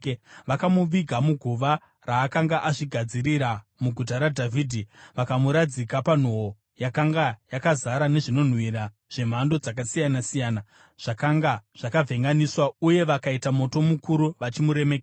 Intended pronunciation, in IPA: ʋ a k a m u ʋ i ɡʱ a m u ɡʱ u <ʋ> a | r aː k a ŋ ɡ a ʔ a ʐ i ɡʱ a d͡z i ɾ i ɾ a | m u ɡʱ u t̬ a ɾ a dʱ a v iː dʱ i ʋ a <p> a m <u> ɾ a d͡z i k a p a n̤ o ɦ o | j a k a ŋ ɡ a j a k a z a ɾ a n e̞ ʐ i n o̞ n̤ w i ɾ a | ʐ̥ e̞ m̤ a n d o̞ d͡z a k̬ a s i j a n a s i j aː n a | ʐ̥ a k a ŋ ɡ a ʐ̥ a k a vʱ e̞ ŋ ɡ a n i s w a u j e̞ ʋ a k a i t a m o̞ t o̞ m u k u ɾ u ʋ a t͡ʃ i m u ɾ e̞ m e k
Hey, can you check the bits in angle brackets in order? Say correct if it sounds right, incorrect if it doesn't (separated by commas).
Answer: correct, incorrect, correct